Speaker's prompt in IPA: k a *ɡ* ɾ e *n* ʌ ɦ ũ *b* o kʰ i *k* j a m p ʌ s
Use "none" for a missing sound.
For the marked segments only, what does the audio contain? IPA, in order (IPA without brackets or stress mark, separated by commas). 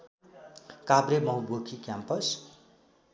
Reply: b, m, b, k